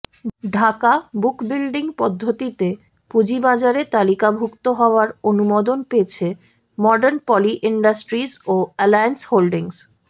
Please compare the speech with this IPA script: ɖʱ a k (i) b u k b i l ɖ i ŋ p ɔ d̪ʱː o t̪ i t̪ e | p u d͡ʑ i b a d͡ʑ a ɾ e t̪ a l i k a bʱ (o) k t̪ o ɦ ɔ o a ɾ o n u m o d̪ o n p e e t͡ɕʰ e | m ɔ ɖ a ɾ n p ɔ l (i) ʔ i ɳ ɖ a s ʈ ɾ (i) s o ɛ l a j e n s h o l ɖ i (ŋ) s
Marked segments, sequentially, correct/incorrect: incorrect, incorrect, correct, correct, correct

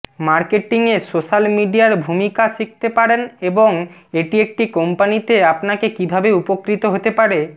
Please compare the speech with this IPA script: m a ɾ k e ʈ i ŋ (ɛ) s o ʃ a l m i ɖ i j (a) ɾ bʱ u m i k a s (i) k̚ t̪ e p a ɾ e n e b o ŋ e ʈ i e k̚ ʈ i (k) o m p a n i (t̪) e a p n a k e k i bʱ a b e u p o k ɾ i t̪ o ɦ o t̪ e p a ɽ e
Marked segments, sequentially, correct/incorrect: incorrect, correct, correct, correct, correct

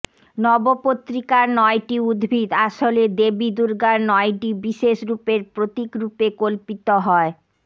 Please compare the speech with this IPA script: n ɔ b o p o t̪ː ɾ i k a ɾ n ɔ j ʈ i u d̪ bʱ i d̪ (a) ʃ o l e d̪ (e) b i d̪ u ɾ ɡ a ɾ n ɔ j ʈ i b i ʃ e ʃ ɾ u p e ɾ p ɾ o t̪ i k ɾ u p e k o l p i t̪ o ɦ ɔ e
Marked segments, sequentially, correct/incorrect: correct, correct

